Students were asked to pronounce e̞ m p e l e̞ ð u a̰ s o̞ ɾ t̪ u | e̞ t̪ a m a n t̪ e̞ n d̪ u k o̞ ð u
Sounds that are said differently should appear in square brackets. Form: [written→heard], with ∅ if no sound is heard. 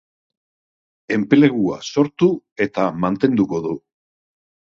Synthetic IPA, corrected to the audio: e̞ m p e l e̞ [ð→ɣ] u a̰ s o̞ ɾ t̪ u | e̞ t̪ a m a n t̪ e̞ n d̪ u k o̞ ð u